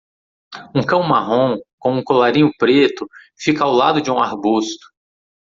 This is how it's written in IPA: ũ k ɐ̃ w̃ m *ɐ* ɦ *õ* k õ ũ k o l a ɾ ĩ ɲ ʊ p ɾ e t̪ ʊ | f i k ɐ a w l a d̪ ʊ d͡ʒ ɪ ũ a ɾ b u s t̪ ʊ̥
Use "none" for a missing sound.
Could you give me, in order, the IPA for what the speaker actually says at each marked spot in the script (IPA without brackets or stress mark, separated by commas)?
a, õ